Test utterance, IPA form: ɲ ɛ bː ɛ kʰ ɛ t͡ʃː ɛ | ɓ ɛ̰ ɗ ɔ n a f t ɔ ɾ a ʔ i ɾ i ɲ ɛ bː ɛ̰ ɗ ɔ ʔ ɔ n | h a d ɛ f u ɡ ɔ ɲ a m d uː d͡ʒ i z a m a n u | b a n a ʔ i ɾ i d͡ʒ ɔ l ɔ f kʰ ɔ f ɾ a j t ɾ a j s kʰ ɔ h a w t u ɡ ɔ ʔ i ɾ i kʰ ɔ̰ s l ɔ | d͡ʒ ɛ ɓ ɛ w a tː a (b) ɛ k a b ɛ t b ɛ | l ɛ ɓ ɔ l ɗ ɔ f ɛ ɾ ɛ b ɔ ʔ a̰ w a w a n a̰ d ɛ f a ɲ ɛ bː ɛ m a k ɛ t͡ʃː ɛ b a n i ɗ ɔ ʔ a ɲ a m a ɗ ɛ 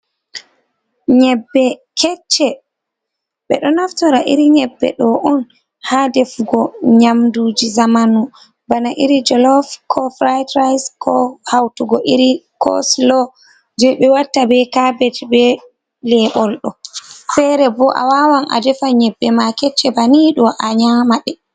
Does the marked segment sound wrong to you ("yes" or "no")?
no